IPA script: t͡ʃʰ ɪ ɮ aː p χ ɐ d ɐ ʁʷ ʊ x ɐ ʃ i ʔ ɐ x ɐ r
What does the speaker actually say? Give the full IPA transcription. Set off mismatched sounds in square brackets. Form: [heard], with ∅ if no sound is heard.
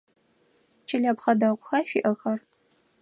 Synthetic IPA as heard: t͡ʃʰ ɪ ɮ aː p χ ɐ d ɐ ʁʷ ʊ x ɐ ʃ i ʔ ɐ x ɐ r

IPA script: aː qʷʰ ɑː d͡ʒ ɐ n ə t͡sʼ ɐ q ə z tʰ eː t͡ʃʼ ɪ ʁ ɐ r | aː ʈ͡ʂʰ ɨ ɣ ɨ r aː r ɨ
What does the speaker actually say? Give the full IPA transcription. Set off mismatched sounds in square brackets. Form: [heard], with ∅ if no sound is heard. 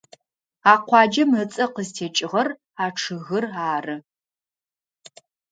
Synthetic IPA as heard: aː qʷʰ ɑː d͡ʒ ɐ [m] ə t͡sʼ ɐ q ə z tʰ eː t͡ʃʼ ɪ ʁ ɐ r | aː ʈ͡ʂʰ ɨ ɣ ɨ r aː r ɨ

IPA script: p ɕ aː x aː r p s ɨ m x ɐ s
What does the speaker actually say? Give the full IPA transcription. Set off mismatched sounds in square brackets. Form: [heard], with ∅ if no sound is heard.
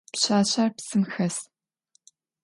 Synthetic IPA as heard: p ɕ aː [ɕ] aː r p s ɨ m x ɐ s

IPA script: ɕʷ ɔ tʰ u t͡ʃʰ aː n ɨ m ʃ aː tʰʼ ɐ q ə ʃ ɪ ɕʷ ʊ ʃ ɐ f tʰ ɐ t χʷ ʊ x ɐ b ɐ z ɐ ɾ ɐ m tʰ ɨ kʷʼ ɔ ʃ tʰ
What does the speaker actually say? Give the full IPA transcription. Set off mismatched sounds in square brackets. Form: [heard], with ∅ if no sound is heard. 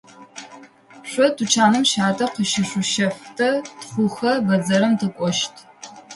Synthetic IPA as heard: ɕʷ ɔ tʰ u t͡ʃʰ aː n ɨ m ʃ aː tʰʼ ɐ q ə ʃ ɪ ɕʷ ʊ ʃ ɐ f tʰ ɐ t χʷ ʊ x ɐ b ɐ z ɐ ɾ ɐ m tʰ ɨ kʷʼ ɔ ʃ tʰ

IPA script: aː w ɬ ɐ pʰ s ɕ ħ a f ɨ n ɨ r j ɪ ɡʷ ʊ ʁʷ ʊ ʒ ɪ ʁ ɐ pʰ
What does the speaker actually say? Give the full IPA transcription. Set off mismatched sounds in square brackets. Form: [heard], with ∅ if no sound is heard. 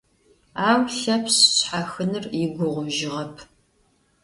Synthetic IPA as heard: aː w ɬ ɐ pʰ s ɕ ħ a [x] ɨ n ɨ r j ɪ ɡʷ ʊ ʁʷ ʊ ʒ ɪ ʁ ɐ pʰ

